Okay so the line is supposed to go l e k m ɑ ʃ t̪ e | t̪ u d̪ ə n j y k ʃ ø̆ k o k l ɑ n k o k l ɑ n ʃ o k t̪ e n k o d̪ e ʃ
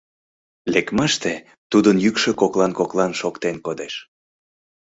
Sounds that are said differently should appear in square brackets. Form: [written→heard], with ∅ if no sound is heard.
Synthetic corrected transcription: l e k m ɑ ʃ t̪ e | t̪ u d̪ ə n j y k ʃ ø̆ k o k l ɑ n k o k l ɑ n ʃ o k t̪ e n k o d̪ e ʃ

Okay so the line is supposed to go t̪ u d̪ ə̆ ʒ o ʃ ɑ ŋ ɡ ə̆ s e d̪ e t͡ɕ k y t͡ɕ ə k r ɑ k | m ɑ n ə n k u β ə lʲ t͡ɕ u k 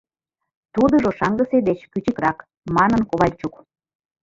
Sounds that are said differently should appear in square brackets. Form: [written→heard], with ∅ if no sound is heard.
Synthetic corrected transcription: t̪ u d̪ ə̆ ʒ o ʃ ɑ ŋ ɡ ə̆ s e d̪ e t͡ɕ k y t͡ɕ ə k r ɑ k | m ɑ n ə n k [u→o] β [ə→ɑ] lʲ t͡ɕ u k

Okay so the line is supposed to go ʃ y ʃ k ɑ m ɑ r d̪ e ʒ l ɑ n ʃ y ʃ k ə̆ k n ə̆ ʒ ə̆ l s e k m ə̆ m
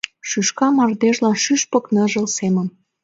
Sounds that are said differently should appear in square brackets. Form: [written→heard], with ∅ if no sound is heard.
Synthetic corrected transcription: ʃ y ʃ k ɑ m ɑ r d̪ e ʒ l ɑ n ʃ y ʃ [k→p] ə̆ k n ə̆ ʒ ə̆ l s e [k→∅] m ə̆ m

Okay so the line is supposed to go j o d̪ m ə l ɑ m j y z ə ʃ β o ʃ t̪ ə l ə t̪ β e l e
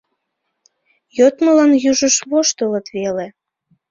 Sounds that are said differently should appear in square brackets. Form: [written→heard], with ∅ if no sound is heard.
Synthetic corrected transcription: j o [d̪→t̪] m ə l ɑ [m→n] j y [z→ʒ] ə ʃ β o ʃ t̪ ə l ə t̪ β e l e

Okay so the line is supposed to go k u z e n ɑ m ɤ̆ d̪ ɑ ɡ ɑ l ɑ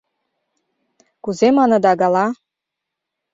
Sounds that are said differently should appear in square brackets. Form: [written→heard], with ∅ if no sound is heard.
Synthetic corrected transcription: k u z e [n→m] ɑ [m→n] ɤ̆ d̪ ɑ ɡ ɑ l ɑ

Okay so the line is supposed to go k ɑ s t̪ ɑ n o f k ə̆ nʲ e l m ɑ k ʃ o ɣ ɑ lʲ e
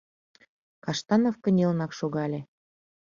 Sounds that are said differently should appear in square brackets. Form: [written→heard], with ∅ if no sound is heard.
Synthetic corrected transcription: k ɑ [s→ʃ] t̪ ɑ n o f k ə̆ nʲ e l [m→n] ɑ k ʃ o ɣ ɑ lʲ e

